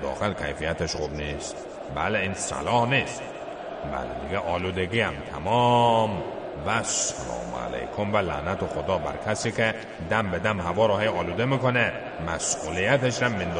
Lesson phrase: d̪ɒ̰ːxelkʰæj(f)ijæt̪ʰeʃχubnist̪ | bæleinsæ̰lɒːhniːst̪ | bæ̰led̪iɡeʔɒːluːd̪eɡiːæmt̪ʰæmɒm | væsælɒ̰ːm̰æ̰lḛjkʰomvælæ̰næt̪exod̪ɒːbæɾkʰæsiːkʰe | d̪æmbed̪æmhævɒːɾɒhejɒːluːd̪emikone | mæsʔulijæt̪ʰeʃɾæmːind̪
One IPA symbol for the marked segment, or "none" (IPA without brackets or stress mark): f